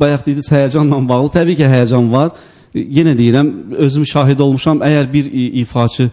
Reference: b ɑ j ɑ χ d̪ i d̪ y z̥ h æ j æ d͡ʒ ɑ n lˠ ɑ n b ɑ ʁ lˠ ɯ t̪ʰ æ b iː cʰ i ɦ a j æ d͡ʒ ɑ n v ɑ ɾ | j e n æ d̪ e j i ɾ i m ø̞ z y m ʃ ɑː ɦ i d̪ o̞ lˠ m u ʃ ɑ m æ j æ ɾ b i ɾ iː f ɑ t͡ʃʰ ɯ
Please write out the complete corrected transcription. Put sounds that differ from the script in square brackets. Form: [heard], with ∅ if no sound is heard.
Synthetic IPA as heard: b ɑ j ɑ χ d̪ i d̪ [i] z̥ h æ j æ d͡ʒ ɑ n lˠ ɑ n b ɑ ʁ lˠ ɯ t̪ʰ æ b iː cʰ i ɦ [æ] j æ d͡ʒ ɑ n v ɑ ɾ | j e n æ d̪ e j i ɾ [æ] m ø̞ z y m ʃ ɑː ɦ i d̪ o̞ lˠ m u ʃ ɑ m æ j æ ɾ b i ɾ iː f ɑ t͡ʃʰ ɯ